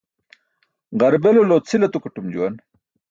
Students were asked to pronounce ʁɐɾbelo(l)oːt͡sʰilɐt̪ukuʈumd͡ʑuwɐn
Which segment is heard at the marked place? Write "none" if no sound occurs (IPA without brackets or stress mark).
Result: l